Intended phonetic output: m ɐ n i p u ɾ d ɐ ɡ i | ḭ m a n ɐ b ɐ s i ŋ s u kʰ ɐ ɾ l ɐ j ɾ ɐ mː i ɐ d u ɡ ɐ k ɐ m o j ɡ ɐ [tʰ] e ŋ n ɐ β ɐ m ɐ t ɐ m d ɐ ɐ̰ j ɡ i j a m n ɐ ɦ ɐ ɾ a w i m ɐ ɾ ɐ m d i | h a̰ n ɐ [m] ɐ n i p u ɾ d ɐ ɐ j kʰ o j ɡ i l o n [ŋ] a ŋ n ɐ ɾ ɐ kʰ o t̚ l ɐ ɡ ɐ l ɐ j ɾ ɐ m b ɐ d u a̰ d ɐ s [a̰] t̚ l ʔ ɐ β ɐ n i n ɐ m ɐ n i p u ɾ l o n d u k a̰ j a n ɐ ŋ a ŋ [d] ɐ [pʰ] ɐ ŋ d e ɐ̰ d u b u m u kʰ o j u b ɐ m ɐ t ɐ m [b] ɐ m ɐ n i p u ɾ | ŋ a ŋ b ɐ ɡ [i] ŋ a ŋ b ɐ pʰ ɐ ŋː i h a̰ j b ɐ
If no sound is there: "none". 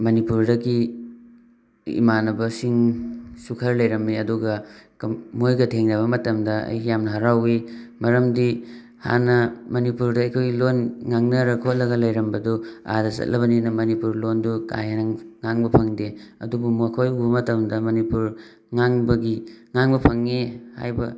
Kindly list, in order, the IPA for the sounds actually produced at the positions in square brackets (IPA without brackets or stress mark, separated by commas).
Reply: tʰ, m, ŋ, ɐ̰, b, pʰ, d, i